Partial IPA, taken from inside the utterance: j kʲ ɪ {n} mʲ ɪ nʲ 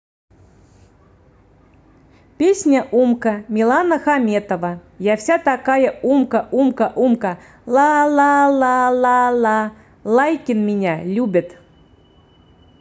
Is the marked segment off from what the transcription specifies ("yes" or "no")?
no